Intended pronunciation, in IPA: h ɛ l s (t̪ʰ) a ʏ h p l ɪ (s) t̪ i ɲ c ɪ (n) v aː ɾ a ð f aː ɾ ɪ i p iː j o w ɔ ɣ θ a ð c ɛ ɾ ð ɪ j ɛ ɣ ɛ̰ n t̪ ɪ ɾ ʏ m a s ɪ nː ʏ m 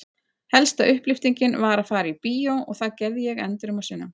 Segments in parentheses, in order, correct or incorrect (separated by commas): incorrect, incorrect, correct